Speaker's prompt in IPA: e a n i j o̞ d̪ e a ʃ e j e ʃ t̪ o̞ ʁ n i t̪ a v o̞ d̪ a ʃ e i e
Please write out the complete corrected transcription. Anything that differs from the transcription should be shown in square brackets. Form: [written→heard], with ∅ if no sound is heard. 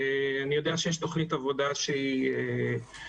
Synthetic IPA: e a n i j o̞ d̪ e a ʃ e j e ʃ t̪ o̞ [ʁ→χ] n i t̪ a v o̞ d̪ a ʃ e i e